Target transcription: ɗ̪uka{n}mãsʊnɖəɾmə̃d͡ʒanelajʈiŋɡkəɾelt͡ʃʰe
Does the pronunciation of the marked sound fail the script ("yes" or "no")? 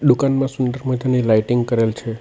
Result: no